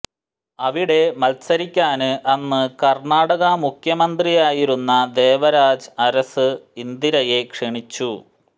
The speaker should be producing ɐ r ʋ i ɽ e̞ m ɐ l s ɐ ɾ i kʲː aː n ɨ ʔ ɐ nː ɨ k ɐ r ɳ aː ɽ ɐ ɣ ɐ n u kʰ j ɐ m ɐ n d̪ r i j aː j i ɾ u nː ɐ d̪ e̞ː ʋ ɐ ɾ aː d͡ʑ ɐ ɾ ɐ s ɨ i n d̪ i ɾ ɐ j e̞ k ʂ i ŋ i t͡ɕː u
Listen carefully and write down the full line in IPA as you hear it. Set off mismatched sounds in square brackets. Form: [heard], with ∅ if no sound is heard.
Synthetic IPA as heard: ɐ [∅] ʋ i ɽ e̞ m ɐ l s ɐ ɾ i kʲː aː n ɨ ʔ ɐ nː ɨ k ɐ r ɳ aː ɽ ɐ ɣ ɐ [m] u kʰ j ɐ m ɐ n d̪ r i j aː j i ɾ u nː ɐ d̪ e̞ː ʋ ɐ ɾ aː d͡ʑ ɐ ɾ ɐ s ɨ i n d̪ i ɾ ɐ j e̞ k ʂ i [ɳ] i t͡ɕː u